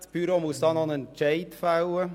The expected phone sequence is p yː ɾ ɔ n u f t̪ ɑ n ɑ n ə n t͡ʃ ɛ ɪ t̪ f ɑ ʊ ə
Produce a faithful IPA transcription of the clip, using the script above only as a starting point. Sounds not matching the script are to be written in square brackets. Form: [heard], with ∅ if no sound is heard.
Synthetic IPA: p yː ɾ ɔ [m] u [s] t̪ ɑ n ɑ n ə n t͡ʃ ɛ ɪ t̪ f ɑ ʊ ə